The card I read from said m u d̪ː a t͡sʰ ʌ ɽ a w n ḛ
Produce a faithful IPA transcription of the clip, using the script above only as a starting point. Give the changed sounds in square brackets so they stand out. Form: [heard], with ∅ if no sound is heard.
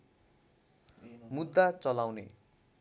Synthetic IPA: m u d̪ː a [t͡s] ʌ [l] a w n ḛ